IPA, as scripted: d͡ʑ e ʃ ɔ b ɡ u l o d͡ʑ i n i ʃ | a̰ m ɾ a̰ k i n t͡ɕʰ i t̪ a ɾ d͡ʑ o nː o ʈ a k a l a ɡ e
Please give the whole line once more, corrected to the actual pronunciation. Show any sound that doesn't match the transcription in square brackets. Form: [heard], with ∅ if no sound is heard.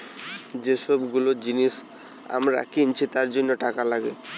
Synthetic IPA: d͡ʑ e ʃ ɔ b ɡ u l o d͡ʑ i n i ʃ | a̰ m ɾ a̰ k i n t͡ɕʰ i t̪ a ɾ d͡ʑ o nː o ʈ a k a l a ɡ e